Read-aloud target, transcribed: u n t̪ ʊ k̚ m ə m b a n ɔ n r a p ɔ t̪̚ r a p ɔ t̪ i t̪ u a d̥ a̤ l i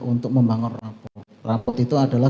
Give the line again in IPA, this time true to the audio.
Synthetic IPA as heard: u n t̪ ʊ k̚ m ə m b a ŋ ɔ n r a p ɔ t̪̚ r a p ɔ t̪ i t̪ u a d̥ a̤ l a